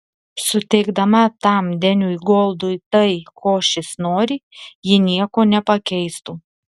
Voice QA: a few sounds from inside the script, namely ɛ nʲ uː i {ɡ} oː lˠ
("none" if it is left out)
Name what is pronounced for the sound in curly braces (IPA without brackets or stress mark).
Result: ɡ